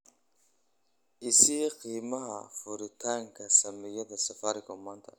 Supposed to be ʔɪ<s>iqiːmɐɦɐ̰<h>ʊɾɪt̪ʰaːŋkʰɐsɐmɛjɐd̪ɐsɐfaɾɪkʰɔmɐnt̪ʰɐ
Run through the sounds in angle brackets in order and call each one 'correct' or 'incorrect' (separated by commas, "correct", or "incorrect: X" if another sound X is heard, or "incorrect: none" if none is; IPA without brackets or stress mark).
correct, incorrect: f